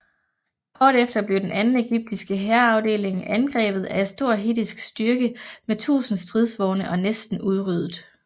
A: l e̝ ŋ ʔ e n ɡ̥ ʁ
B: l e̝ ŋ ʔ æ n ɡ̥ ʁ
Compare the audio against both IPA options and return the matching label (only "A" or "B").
B